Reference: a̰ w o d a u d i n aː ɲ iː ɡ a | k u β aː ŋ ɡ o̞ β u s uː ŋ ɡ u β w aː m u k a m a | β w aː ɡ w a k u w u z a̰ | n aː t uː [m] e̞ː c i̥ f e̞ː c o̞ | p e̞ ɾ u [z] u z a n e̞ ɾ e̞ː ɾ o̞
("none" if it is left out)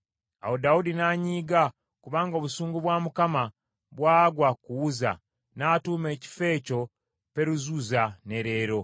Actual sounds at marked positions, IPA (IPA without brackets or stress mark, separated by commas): m, z